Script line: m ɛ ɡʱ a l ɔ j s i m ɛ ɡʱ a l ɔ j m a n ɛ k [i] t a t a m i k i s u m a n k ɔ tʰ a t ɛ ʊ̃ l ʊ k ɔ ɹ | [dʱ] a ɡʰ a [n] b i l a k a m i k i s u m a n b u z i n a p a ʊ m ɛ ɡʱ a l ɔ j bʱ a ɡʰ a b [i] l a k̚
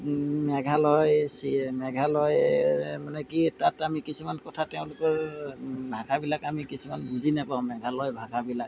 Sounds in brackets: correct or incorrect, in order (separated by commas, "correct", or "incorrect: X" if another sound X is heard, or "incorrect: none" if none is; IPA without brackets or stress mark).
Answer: correct, incorrect: bʱ, incorrect: none, correct